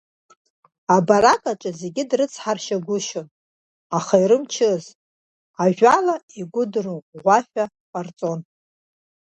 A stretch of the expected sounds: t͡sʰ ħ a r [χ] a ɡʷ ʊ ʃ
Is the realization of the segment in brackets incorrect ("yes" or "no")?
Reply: yes